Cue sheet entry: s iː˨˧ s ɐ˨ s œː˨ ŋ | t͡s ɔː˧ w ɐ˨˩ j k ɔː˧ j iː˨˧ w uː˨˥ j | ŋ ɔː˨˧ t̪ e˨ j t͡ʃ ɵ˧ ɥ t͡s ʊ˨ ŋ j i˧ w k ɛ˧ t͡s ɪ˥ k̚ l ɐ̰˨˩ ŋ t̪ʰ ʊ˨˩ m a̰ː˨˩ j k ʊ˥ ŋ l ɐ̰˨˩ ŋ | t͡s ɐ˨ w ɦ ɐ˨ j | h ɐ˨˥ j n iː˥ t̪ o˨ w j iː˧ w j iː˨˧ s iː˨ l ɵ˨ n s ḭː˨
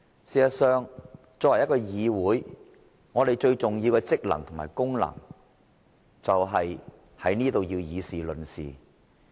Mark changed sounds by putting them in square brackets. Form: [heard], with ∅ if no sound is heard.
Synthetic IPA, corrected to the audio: s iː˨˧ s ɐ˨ s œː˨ ŋ | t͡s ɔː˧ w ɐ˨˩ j k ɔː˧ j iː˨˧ w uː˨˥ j | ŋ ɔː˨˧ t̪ e˨ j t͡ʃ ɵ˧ ɥ t͡s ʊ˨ ŋ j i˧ w k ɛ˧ t͡s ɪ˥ k̚ l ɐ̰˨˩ ŋ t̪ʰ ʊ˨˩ m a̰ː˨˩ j k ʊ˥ ŋ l ɐ̰˨˩ ŋ | t͡s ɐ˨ w ɦ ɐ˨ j | h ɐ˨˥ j n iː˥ t̪ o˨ w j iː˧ w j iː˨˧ s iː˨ l ɵ˨ n s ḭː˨